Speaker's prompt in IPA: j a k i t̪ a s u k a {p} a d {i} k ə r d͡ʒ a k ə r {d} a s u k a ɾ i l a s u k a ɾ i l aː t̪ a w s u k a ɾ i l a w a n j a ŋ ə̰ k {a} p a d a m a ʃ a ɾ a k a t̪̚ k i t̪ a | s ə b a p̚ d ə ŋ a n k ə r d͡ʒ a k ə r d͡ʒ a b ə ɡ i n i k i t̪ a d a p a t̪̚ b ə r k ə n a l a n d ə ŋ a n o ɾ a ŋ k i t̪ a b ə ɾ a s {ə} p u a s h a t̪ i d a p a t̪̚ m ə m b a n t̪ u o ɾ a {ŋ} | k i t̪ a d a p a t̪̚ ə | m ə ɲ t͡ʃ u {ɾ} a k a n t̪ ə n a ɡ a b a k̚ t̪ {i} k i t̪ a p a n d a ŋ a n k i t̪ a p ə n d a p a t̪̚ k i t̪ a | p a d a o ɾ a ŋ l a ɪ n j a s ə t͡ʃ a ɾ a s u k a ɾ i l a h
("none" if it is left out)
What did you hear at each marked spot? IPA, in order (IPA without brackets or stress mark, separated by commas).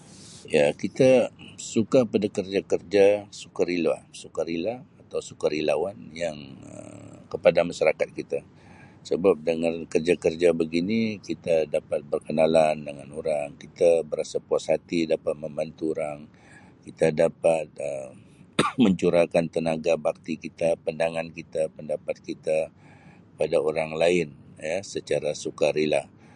p, a, d͡ʒ, ə, a, ŋ, ɾ, i